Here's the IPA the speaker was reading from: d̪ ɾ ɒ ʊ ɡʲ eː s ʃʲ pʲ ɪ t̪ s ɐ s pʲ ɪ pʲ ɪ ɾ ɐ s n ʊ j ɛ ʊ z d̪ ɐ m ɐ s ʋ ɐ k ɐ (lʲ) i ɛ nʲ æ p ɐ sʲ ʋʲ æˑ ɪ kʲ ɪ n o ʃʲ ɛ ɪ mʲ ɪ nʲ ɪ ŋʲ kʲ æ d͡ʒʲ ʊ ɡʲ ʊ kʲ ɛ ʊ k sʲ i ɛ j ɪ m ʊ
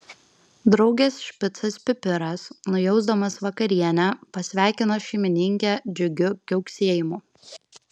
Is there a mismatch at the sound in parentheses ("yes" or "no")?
yes